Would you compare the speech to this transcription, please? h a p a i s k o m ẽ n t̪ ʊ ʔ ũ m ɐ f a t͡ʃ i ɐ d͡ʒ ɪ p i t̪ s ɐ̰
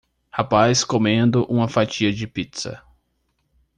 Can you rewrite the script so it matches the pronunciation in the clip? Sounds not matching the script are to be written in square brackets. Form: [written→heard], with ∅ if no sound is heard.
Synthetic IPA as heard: h a p a [i→j] s k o m ẽ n [t̪→d̪] ʊ ʔ ũ m ɐ f a t͡ʃ i ɐ d͡ʒ ɪ p i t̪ s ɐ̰

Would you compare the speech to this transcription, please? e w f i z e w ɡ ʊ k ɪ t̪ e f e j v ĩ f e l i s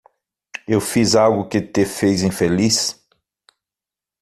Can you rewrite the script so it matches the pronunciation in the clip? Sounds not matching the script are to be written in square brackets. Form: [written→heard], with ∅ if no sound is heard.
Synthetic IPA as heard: e w f i z [e→a] w ɡ ʊ k ɪ t̪ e f e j [v→z] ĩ f e l i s

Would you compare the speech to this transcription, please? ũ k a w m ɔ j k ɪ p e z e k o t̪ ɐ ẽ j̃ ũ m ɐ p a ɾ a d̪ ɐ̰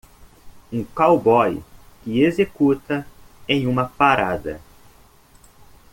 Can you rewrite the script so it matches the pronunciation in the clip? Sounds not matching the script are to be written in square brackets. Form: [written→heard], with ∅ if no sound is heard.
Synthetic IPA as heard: ũ k a w [m→b] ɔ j k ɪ [p→∅] e z e k [o→u] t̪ ɐ ẽ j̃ ũ m ɐ p a ɾ a d̪ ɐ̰

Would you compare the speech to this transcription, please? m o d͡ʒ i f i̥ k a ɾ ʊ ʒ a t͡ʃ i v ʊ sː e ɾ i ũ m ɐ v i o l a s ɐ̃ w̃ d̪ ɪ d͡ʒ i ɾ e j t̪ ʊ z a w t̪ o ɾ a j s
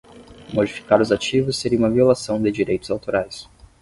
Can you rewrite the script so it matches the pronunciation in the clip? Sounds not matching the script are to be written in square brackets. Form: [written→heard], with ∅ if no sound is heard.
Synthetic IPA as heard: m o d͡ʒ i f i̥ k a ɾ ʊ [ʒ→z] a t͡ʃ i v ʊ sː e ɾ i ũ m ɐ v i o l a s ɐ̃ w̃ d̪ ɪ d͡ʒ i ɾ e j t̪ ʊ z a w t̪ o ɾ a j s

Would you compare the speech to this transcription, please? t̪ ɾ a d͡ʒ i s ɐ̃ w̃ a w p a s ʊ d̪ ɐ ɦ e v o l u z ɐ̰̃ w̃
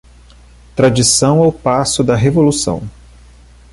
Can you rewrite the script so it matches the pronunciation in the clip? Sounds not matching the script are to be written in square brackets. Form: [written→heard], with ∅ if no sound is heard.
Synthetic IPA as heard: t̪ ɾ a d͡ʒ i s ɐ̃ w̃ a w p a s ʊ d̪ ɐ ɦ e v o l u [z→s] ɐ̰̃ w̃

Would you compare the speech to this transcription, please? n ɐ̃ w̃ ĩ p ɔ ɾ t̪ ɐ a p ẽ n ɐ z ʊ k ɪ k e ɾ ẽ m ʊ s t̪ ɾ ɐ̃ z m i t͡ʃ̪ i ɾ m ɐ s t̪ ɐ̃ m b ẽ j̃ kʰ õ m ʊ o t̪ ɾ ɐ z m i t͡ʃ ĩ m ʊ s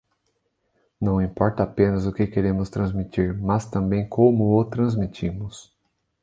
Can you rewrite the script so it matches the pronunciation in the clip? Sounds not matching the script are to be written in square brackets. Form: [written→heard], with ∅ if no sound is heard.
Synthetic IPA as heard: n ɐ̃ w̃ ĩ p ɔ ɾ t̪ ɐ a p ẽ n ɐ z ʊ k ɪ k e ɾ ẽ m ʊ s t̪ ɾ ɐ̃ z m i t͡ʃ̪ i ɾ m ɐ s t̪ ɐ̃ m b ẽ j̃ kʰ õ m ʊ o t̪ ɾ [ɐ→ɐ̃] z m i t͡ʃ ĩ m ʊ s

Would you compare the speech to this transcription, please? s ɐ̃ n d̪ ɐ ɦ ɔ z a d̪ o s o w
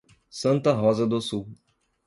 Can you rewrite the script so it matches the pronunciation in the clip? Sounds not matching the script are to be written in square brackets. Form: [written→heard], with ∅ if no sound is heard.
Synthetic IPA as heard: s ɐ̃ n [d̪→t̪] ɐ ɦ ɔ z [a→ɐ] d̪ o s [o→u] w

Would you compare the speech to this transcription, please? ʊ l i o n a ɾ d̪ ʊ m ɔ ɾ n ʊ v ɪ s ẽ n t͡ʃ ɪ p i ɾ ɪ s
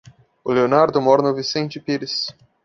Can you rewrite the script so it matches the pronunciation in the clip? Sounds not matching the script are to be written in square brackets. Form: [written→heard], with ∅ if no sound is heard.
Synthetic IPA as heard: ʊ l [i→e] o n a ɾ d̪ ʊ m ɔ ɾ n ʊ v [ɪ→i] s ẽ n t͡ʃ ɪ p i ɾ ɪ s

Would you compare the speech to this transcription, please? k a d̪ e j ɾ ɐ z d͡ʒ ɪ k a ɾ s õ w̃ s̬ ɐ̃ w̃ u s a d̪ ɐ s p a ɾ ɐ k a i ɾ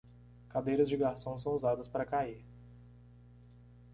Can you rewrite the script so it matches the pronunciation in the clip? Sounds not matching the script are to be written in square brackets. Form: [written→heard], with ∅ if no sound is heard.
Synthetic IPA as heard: k a d̪ e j ɾ ɐ z d͡ʒ ɪ [k→ɡ] a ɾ s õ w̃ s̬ ɐ̃ w̃ u [s→z] a d̪ ɐ s p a ɾ ɐ k a i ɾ

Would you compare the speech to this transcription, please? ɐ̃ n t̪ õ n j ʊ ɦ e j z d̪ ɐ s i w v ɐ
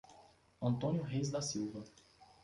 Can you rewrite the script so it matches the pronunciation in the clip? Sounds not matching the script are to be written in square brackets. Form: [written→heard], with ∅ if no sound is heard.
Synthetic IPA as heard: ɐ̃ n t̪ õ n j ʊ ɦ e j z d̪ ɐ s i w v ɐ

